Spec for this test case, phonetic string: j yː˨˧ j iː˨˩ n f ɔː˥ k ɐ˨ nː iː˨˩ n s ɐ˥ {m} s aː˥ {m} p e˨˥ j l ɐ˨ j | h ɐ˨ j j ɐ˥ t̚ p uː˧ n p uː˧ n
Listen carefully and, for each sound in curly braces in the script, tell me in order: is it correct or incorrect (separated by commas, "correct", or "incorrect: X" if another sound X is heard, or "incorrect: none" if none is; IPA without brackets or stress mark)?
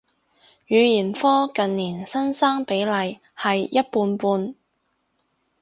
incorrect: n, incorrect: ŋ